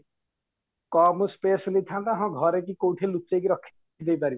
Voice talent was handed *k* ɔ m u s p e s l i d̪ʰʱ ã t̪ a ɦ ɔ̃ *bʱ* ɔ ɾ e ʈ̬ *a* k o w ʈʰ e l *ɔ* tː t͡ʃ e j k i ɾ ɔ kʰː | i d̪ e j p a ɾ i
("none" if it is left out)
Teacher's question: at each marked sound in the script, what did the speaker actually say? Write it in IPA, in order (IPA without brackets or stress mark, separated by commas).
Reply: k, ɡʱ, i, u